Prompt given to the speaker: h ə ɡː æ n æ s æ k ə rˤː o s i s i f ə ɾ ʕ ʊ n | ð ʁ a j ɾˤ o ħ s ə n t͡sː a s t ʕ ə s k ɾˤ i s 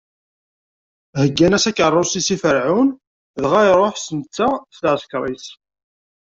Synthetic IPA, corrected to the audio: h ə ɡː æ n æ s æ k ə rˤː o s i s i f ə ɾ ʕ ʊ n | ð ʁ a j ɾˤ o ħ s ə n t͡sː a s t ʕ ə s k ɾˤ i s